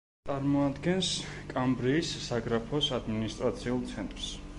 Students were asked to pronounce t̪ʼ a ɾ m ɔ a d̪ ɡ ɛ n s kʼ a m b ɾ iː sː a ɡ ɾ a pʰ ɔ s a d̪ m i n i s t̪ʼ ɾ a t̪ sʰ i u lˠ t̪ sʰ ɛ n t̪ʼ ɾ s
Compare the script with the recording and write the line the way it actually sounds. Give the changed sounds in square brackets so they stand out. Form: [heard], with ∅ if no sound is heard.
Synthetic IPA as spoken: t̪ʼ a ɾ m ɔ a d̪ ɡ ɛ n s kʼ a m b ɾ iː sː a ɡ ɾ a pʰ ɔ s a d̪ m i n i s t̪ʼ ɾ a t̪ sʰ i u lˠ t̪ sʰ ɛ n t̪ʼ ɾ s